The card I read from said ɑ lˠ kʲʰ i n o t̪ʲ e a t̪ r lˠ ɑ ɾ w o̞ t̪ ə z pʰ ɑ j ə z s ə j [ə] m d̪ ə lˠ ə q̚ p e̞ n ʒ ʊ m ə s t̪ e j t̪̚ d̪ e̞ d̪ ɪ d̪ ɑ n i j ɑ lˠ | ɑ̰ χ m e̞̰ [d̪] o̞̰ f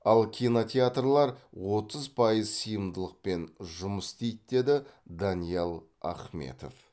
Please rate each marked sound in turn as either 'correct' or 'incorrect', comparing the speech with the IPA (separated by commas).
correct, incorrect